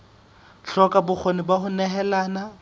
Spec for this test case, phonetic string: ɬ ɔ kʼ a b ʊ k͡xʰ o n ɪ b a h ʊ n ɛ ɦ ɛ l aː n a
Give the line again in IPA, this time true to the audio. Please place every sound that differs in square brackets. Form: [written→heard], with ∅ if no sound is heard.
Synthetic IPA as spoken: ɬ ɔ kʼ a b ʊ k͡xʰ o n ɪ b a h ʊ n ɛ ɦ ɛ l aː n a